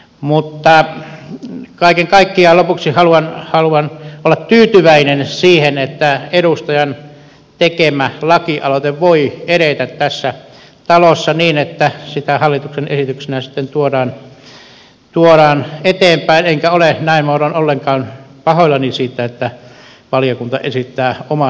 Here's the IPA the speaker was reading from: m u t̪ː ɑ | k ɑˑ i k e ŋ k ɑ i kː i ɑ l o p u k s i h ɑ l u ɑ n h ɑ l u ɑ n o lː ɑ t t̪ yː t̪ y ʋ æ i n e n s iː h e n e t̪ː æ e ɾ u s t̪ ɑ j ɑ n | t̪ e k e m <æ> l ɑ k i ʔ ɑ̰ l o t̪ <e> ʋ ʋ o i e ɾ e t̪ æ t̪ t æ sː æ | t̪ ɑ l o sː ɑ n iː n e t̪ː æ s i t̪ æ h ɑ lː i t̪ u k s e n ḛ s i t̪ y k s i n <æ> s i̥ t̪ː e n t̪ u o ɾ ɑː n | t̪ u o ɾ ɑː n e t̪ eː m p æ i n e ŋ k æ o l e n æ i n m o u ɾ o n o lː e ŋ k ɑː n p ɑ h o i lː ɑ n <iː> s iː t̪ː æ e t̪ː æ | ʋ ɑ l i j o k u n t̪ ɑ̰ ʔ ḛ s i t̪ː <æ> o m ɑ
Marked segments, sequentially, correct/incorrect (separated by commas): correct, correct, correct, incorrect, incorrect